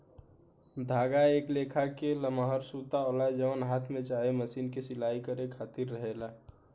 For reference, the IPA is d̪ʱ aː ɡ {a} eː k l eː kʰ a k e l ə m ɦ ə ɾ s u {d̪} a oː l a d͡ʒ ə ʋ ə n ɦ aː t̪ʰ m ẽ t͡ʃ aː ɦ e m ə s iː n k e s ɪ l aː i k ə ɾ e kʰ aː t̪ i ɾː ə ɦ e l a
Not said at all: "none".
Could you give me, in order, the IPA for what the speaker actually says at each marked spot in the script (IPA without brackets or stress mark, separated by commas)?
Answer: a, t̪